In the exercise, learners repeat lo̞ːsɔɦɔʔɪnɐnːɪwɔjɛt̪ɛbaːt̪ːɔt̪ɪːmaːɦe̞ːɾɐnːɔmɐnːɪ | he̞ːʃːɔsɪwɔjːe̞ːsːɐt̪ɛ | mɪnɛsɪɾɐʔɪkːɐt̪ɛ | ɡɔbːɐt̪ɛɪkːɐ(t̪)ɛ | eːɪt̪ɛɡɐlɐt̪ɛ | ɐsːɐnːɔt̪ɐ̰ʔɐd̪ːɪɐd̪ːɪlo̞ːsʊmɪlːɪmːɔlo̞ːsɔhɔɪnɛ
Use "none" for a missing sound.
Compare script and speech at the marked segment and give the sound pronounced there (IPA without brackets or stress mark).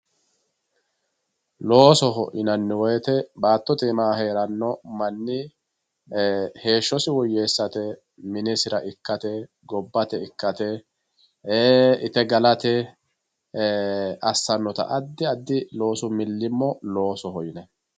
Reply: t̪